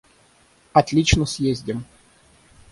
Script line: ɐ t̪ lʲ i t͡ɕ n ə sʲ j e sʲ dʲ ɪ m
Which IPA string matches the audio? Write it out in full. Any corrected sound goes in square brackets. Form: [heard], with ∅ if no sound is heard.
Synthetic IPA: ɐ t̪ lʲ i t͡ɕ n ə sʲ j e [zʲ] dʲ ɪ m